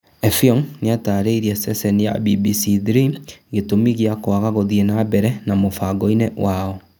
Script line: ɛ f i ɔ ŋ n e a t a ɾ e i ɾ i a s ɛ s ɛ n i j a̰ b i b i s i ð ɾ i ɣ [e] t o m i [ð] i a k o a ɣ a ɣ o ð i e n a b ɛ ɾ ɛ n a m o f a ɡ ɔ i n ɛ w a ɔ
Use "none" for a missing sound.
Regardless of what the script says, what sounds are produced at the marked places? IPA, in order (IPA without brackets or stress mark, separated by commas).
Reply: e, ɣ